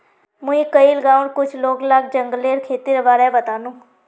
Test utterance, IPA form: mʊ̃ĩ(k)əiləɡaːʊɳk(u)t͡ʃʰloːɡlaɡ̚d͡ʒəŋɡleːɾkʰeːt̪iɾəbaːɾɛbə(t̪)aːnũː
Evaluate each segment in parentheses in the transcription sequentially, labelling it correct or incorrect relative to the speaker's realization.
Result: correct, incorrect, correct

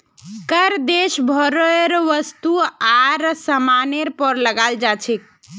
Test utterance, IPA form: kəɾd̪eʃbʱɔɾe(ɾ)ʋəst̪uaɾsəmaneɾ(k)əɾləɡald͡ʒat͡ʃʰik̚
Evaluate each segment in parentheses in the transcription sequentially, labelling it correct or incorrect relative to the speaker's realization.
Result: correct, incorrect

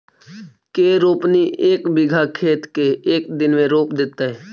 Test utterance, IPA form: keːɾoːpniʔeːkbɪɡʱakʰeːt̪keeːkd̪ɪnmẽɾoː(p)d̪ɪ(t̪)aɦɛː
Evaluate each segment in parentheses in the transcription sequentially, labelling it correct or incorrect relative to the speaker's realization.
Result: correct, correct

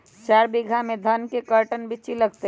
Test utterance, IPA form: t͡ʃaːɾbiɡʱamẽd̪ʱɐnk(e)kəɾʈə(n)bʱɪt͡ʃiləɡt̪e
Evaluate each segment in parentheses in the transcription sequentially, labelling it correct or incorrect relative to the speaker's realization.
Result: correct, correct

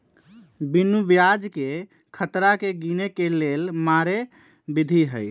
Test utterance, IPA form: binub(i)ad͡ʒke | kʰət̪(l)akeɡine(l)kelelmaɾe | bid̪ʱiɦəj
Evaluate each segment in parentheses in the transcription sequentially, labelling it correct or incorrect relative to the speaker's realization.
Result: incorrect, incorrect, incorrect

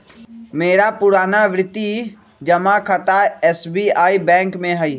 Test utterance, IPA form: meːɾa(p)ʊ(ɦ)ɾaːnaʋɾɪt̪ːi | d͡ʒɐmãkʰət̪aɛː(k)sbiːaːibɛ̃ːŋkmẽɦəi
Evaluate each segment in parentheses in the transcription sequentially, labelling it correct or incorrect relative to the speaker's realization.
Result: correct, incorrect, incorrect

